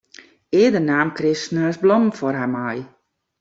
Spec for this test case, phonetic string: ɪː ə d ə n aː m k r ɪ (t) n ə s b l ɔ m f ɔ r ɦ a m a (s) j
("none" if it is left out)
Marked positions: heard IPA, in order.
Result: s, none

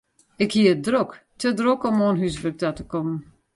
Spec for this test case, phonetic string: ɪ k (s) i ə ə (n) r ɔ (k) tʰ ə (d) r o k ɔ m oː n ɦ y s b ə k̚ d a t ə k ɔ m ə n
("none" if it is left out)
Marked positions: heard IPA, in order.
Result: h, d, k, d

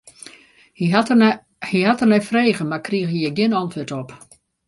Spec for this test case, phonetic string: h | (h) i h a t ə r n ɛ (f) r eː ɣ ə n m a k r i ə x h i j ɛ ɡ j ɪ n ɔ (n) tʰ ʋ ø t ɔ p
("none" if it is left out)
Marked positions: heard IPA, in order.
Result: h, f, n

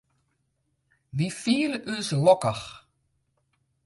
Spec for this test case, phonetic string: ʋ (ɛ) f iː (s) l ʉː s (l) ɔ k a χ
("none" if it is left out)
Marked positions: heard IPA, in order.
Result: i, none, l

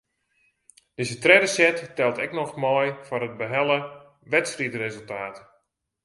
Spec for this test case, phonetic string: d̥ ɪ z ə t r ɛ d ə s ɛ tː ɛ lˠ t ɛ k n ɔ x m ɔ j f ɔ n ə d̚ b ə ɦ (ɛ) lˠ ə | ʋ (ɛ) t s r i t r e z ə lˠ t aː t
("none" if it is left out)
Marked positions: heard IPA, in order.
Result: ɛ, ɛ

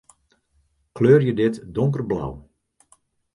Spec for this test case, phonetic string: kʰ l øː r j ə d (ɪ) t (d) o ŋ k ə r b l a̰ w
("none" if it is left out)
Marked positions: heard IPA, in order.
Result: ɪ, d

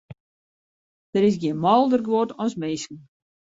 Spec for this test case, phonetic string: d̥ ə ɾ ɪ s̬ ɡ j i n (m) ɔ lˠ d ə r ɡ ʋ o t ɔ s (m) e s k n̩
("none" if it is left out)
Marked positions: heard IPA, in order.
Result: m, m

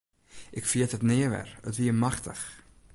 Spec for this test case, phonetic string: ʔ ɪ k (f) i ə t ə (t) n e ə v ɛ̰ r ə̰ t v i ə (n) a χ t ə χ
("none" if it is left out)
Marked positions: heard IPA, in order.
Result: f, t, m

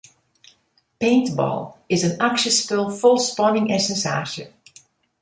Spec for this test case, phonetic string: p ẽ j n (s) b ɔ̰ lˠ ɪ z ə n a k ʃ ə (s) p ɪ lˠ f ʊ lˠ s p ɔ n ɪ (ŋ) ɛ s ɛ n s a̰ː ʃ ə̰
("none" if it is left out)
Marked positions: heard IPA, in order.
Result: t, s, ŋ

